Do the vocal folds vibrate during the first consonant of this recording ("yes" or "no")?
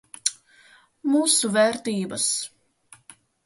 yes